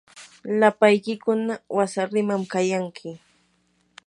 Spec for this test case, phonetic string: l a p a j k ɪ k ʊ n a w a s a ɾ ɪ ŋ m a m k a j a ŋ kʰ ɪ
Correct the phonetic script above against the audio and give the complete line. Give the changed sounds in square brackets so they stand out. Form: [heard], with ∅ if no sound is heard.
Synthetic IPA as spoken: l a p a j k ɪ k ʊ n a w a s a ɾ ɪ [∅] m a m k a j a ŋ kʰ ɪ